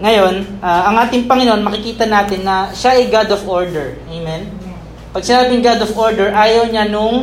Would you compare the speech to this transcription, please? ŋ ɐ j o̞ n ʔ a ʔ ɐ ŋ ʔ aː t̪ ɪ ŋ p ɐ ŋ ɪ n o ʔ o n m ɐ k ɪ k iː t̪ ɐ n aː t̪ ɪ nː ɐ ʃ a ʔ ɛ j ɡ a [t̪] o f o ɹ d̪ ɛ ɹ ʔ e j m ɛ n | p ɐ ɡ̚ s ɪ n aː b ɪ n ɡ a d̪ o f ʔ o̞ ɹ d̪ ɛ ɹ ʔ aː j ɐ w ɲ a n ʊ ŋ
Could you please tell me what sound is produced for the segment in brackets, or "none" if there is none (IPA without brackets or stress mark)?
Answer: d̪